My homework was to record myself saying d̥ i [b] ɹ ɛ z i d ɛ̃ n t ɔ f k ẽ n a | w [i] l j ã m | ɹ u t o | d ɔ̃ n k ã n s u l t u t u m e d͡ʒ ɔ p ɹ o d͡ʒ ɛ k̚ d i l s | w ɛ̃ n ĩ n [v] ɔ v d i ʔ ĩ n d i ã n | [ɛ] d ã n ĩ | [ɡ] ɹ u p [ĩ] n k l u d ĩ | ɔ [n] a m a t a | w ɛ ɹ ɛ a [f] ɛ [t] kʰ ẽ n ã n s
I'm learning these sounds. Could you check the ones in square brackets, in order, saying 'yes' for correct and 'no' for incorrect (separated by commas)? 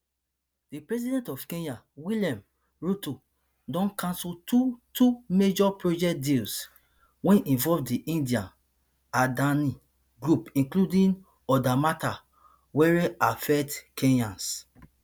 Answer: no, yes, yes, no, yes, yes, no, yes, yes